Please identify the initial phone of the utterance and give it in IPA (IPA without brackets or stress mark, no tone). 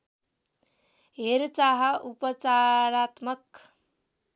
ɦ